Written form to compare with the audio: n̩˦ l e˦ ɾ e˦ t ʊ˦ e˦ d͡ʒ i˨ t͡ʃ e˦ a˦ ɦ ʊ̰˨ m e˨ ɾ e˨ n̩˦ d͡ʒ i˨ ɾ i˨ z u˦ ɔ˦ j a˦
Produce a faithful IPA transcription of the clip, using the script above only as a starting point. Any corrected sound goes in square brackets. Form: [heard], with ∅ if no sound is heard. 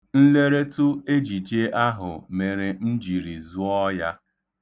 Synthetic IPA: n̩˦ l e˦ ɾ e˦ t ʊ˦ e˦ d͡ʒ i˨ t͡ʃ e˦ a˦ ɦ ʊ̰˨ m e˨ ɾ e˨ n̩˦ d͡ʒ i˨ ɾ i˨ z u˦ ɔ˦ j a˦